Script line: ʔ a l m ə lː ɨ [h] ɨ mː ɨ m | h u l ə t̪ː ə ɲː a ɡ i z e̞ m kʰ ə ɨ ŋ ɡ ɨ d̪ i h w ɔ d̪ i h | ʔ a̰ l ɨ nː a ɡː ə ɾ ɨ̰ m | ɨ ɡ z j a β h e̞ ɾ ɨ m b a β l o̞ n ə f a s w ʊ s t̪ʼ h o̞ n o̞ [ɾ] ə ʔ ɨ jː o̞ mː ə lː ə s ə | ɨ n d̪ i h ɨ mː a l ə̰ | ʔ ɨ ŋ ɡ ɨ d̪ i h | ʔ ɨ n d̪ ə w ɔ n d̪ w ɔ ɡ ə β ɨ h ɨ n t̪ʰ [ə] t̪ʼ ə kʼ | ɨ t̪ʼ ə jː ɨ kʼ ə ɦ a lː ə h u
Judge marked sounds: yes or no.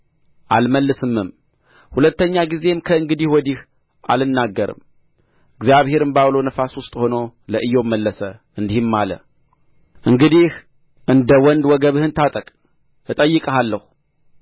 no, no, no

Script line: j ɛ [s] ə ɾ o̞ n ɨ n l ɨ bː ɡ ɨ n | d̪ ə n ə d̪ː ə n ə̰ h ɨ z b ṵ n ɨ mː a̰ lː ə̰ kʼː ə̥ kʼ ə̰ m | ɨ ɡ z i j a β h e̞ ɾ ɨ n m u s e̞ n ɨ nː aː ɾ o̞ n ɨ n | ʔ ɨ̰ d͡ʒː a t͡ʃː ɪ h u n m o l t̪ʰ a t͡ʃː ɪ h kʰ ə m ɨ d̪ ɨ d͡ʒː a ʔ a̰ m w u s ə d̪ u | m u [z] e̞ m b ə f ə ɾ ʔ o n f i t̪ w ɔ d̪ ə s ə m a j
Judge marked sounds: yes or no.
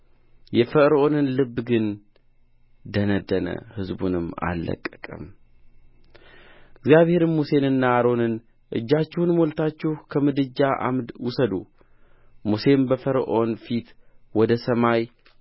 no, no

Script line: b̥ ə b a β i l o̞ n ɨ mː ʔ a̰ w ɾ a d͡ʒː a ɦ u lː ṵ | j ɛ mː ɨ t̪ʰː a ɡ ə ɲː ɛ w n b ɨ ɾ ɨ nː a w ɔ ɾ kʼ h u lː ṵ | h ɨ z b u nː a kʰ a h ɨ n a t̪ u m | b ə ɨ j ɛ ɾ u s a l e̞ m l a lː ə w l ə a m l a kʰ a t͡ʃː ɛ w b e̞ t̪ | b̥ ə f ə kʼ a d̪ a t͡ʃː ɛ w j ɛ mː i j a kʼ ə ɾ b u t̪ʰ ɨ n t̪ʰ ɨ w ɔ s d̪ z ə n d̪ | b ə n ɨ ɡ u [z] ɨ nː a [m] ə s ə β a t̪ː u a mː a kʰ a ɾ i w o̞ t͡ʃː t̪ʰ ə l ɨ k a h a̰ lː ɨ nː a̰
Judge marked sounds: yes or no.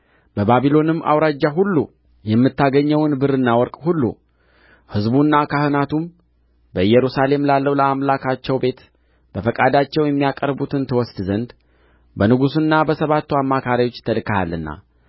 no, no

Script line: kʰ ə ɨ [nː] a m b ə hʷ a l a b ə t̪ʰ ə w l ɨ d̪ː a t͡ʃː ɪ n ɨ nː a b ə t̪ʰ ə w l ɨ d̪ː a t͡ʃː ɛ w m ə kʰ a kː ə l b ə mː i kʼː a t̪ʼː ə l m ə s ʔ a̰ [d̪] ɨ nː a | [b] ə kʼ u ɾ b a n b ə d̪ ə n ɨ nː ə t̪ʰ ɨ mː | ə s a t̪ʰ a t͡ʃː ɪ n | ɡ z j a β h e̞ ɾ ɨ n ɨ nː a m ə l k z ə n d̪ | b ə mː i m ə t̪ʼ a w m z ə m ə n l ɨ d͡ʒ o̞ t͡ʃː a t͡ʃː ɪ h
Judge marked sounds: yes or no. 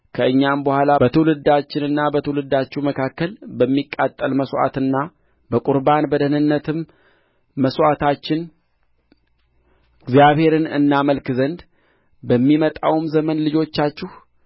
no, no, yes

